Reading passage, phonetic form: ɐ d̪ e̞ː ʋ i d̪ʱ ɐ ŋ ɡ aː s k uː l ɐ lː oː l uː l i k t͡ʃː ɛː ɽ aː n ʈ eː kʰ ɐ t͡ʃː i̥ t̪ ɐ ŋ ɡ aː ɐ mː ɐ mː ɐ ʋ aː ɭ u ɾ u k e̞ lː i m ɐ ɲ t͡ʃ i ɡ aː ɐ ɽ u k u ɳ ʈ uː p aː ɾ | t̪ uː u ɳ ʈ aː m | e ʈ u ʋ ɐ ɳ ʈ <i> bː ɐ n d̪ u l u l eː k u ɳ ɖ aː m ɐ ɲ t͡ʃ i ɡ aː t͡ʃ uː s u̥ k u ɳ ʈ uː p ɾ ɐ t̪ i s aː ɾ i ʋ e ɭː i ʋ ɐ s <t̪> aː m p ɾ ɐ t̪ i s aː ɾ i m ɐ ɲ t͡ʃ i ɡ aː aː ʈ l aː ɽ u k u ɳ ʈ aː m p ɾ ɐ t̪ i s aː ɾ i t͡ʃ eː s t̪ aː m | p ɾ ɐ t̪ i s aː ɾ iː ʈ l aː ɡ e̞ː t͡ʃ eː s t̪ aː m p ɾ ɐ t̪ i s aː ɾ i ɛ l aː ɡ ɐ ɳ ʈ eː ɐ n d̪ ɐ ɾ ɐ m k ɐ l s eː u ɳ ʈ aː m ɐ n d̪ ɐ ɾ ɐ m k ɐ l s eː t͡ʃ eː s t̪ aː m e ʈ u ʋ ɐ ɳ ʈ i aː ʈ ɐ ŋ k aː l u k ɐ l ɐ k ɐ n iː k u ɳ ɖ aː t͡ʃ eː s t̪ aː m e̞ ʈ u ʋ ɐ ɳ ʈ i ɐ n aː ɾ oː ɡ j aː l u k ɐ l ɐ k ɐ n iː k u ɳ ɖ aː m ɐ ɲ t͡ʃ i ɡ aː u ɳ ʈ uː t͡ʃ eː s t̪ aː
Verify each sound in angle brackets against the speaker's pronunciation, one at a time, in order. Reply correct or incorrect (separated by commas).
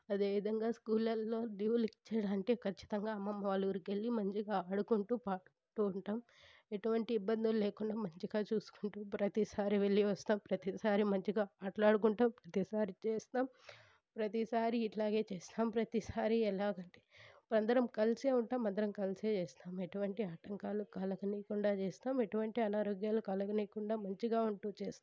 incorrect, correct